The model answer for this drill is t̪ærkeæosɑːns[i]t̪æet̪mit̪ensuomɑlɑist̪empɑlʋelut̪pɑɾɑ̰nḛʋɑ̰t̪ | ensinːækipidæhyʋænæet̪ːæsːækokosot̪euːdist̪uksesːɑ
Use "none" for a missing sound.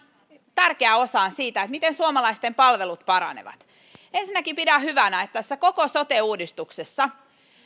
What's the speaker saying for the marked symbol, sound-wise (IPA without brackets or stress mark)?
iː